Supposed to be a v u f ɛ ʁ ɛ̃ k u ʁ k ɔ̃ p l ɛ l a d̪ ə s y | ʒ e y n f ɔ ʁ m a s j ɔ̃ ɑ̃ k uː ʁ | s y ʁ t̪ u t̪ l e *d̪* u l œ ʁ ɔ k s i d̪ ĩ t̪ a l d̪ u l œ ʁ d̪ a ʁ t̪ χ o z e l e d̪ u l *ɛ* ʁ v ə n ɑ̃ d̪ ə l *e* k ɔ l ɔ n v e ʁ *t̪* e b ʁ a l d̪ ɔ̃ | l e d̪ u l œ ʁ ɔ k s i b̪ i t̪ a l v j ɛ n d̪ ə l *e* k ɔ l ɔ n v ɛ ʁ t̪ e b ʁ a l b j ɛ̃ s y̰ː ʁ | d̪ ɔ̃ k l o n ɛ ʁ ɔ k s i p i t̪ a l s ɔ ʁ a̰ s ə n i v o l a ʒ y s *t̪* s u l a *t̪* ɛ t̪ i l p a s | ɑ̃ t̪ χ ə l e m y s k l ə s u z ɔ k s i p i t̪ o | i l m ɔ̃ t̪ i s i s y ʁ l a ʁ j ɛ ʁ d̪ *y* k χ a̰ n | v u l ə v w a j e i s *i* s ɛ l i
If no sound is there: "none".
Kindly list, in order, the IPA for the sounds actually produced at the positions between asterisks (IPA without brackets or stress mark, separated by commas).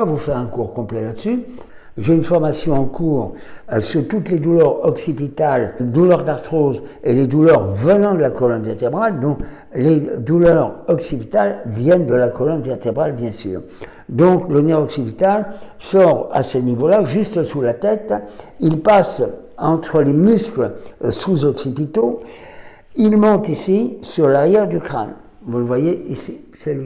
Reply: d̪, œ, a, t̪, a, t̪, t̪, y, i